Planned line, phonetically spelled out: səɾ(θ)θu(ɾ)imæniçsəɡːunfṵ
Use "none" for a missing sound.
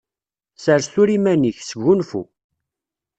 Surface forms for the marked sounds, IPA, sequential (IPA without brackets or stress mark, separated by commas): s, ɾ